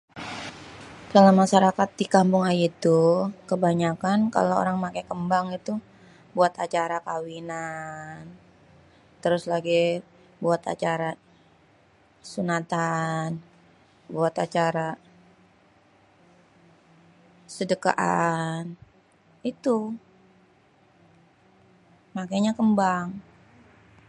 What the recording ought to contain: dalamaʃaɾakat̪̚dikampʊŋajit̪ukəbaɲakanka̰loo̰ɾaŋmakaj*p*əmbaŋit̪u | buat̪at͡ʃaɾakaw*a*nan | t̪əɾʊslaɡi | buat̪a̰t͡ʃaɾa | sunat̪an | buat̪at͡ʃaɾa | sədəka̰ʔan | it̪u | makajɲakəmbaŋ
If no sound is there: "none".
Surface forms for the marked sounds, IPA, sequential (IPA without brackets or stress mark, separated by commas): k, i